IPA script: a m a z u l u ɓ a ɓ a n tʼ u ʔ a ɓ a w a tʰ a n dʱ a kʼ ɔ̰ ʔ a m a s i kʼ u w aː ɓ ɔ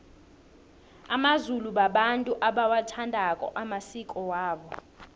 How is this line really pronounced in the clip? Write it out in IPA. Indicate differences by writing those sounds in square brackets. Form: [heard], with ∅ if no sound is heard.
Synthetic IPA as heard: a m a z u l u ɓ a ɓ a n tʼ u ʔ a ɓ a w a tʰ a n dʱ a kʼ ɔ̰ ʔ a m a s i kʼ [ɔ] w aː ɓ ɔ